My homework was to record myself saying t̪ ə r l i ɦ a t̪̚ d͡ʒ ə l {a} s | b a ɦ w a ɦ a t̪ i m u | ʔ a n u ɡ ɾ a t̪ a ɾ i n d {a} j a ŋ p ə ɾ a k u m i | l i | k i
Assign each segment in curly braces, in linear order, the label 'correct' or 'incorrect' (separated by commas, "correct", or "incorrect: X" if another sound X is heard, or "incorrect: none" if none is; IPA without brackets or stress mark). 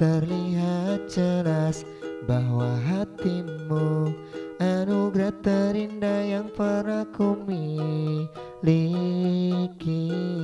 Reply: correct, correct